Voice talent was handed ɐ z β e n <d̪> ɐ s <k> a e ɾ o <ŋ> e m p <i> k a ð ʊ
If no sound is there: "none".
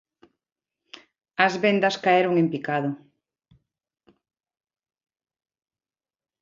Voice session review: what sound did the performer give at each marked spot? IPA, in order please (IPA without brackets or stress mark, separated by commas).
d̪, k, ŋ, i